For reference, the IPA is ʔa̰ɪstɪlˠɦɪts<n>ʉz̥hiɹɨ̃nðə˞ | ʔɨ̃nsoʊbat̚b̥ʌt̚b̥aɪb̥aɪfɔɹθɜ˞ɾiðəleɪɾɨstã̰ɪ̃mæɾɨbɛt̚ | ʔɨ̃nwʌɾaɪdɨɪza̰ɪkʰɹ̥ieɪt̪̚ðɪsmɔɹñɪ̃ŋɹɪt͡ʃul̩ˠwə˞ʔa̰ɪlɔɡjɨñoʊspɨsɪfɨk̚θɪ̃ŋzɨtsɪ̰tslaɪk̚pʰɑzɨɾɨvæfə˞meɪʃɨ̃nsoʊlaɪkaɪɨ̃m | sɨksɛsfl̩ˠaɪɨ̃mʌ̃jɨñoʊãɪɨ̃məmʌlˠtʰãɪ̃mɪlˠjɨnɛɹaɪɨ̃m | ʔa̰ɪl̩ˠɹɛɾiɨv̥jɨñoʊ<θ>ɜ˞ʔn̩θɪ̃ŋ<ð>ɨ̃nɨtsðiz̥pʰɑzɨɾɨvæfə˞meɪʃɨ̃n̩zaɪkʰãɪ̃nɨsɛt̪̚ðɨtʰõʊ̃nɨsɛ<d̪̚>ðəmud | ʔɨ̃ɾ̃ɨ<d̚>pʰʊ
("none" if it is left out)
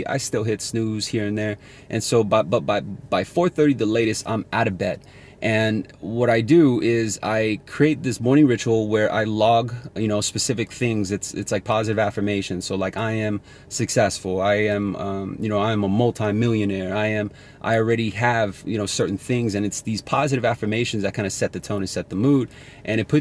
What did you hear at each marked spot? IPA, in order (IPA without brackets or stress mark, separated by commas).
n, s, z, t̪̚, t̚